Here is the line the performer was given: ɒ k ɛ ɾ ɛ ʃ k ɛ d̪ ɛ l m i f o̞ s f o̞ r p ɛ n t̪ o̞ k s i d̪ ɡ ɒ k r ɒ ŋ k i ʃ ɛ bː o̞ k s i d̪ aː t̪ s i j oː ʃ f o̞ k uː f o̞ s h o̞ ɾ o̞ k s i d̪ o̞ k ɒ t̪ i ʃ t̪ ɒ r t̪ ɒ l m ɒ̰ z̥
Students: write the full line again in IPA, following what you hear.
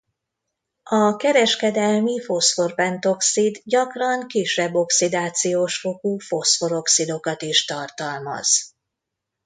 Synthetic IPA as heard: ɒ k ɛ ɾ ɛ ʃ k ɛ d̪ ɛ l m i f o̞ s f o̞ r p ɛ n t̪ o̞ k s i d̪ ɟ ɒ k r ɒ ŋ k i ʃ ɛ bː o̞ k s i d̪ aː t̪ s i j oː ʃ f o̞ k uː f o̞ s f o̞ ɾ o̞ k s i d̪ o̞ k ɒ t̪ i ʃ t̪ ɒ r t̪ ɒ l m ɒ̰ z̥